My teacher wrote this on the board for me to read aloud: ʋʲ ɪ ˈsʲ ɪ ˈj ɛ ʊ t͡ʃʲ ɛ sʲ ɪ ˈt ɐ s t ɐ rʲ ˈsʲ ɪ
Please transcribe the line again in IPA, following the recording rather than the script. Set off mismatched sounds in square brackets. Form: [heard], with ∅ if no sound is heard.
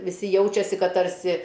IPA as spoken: ʋʲ ɪ ˈsʲ ɪ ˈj ɛ ʊ t͡ʃʲ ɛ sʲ ɪ [ˈk] ɐ [t] t ɐ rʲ ˈsʲ ɪ